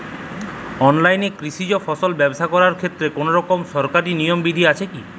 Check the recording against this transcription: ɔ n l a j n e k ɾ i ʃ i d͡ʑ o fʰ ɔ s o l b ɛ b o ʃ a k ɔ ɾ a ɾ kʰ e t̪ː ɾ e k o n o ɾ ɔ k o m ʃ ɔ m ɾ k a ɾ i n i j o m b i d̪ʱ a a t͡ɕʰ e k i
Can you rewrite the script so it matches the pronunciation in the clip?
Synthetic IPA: ɔ n l a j n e k ɾ i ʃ i d͡ʑ o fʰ ɔ s o l b ɛ b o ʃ a k ɔ ɾ a ɾ kʰ e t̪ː ɾ e k o n o ɾ ɔ k o m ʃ ɔ ɾ k a ɾ i n i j o m b i d̪ʱ i a t͡ɕʰ e k i